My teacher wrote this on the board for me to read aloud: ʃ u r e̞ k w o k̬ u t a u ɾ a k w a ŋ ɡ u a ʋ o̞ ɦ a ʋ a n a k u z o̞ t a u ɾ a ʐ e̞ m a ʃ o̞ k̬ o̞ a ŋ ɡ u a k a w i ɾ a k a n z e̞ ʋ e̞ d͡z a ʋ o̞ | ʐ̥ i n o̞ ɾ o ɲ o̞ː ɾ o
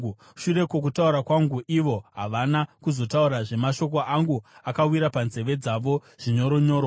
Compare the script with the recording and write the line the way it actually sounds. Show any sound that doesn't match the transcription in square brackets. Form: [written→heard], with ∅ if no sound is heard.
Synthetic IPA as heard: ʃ u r e̞ k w o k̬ u t a u ɾ a k w a ŋ ɡ u [a→i] ʋ o̞ ɦ a ʋ a n a k u z o̞ t a u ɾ a ʐ e̞ m a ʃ o̞ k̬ o̞ a ŋ ɡ u a k a w i ɾ a [k→p] a n z e̞ ʋ e̞ d͡z a ʋ o̞ | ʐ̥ i [n→ɲ] o̞ ɾ o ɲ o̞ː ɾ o